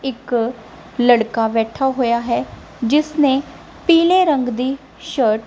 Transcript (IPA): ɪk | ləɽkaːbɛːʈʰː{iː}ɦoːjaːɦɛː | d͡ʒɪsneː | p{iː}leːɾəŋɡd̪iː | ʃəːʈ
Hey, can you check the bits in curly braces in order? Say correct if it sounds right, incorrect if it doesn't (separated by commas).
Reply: incorrect, correct